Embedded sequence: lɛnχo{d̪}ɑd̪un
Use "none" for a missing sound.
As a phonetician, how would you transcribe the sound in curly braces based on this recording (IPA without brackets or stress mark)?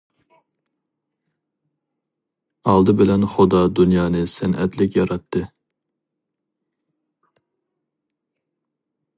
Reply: d̪